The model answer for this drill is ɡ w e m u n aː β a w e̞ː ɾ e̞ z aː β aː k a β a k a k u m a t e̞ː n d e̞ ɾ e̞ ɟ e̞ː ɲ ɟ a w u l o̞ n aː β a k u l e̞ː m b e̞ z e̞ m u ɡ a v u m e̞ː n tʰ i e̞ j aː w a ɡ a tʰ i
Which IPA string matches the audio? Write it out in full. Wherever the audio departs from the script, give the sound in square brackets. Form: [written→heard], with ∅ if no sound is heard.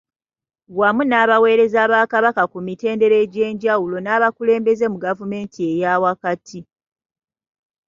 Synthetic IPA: ɡ w [e→a] m u n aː β a w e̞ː ɾ e̞ z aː β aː k a β a k a k u m [a→i] t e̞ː n d e̞ ɾ e̞ ɟ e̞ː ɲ ɟ a w u l o̞ n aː β a k u l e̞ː m b e̞ z e̞ m u ɡ a v u m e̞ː n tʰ i e̞ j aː w a [ɡ→k] a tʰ i